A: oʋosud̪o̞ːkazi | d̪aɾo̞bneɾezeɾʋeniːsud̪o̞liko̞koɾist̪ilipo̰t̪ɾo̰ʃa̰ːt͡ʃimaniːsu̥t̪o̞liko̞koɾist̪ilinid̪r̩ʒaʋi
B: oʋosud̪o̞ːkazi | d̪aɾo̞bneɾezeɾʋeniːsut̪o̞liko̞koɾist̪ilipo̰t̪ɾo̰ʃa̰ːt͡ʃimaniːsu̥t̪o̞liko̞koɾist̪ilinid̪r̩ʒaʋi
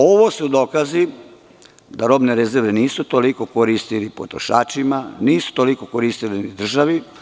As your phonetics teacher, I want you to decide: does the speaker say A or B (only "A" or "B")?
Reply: B